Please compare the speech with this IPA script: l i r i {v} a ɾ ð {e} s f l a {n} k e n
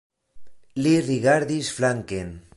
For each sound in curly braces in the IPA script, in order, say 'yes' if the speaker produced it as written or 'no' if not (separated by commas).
no, no, no